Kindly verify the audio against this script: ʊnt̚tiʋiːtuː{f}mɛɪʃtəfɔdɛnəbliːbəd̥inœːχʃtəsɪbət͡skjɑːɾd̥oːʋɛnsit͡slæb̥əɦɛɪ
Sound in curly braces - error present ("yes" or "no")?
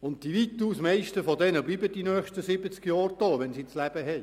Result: yes